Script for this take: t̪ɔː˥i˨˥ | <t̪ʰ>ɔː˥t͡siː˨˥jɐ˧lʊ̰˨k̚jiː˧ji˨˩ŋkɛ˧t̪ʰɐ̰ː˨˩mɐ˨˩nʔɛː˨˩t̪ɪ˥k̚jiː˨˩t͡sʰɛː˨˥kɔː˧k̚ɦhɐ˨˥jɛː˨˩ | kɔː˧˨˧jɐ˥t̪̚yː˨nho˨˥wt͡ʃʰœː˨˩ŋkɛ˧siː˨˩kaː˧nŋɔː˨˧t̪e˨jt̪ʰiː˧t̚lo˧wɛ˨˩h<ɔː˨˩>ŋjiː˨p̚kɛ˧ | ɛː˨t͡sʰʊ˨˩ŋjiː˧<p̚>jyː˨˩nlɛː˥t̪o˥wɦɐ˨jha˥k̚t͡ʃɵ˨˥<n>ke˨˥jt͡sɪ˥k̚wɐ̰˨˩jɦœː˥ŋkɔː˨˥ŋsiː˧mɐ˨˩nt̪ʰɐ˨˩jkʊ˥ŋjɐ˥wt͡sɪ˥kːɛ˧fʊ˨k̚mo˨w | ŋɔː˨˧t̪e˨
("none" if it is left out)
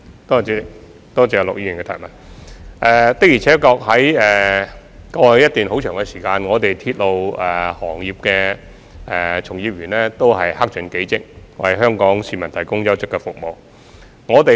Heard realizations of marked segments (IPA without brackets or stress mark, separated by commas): t̪, ɔː˨˩, p̚, n